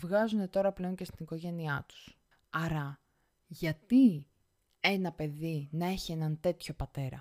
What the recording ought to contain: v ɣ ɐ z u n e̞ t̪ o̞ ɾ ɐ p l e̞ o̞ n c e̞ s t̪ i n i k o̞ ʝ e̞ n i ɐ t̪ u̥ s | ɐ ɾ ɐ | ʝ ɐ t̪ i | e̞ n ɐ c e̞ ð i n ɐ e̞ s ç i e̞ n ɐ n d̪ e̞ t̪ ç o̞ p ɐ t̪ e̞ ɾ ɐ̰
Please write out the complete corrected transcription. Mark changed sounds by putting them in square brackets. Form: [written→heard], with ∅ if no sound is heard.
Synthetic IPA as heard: v ɣ ɐ z u n e̞ t̪ o̞ ɾ ɐ p l e̞ o̞ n c e̞ s t̪ i n i k o̞ ʝ e̞ n i ɐ t̪ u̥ s | ɐ ɾ ɐ | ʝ ɐ t̪ i | e̞ n ɐ [c→p] e̞ ð i n ɐ e̞ [s→∅] ç i e̞ n ɐ n [d̪→t̪] e̞ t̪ ç o̞ p ɐ t̪ e̞ ɾ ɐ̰